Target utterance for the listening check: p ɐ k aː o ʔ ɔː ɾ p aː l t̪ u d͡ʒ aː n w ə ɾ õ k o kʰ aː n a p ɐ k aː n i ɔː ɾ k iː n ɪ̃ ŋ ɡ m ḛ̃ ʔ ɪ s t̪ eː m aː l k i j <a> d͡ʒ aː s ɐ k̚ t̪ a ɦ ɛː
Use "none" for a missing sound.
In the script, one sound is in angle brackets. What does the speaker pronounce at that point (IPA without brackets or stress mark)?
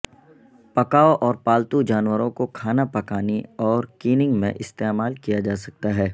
a